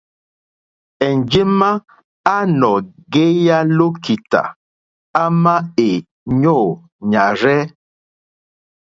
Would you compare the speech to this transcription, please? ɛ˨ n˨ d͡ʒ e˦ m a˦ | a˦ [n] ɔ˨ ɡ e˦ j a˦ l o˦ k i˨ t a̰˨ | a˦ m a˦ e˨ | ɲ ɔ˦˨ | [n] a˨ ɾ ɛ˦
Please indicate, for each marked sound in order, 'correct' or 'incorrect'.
correct, incorrect

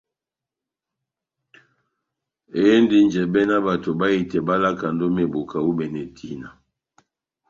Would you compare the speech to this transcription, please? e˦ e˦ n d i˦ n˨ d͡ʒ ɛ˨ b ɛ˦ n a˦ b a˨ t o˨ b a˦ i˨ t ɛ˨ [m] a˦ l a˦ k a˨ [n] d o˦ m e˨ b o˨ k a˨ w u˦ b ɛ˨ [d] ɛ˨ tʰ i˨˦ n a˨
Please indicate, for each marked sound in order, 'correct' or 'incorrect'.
incorrect, correct, incorrect

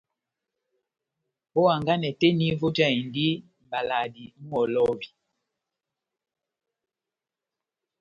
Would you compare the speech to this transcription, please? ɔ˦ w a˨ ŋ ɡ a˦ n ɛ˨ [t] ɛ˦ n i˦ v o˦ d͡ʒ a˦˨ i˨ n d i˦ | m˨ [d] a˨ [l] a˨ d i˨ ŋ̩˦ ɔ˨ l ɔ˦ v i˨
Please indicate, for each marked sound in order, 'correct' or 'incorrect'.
correct, incorrect, correct

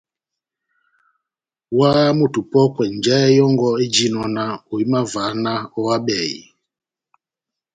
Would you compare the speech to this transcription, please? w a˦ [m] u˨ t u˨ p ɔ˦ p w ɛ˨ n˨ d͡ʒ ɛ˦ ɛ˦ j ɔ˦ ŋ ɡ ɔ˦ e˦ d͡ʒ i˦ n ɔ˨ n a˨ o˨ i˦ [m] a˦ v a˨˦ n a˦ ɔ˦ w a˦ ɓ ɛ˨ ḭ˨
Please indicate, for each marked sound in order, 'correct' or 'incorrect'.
correct, correct

